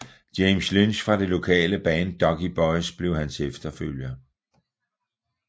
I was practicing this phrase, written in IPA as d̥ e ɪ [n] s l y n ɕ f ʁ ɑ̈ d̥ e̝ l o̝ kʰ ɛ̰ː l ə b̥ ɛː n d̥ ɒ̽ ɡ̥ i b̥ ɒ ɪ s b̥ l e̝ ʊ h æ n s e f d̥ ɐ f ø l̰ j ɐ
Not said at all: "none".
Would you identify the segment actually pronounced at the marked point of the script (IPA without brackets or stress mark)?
m